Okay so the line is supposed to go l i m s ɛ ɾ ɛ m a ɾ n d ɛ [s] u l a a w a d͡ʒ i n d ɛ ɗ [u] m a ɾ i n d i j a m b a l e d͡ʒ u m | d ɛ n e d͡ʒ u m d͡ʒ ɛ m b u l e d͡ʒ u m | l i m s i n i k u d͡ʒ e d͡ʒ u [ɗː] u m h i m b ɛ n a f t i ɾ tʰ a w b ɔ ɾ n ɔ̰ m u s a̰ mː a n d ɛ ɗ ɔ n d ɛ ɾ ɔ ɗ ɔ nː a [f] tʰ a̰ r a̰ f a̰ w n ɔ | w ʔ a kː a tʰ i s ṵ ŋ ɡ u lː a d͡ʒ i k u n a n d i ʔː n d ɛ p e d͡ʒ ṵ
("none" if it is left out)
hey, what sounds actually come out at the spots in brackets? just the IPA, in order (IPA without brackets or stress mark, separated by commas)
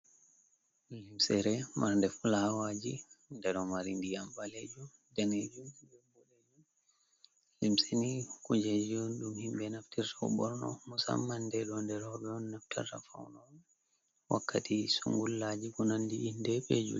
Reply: f, ɔ, ɗ, f